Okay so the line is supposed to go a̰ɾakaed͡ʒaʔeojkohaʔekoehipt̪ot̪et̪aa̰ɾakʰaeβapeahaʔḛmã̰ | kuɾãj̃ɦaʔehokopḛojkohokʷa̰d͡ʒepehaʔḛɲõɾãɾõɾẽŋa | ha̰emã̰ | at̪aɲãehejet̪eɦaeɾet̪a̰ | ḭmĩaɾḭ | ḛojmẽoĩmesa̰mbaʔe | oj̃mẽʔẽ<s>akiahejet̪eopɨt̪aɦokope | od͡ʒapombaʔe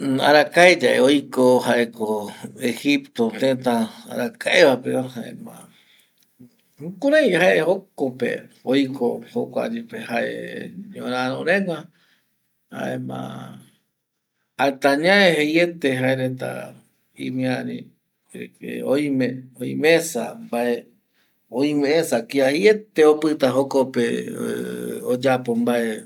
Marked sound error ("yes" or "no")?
no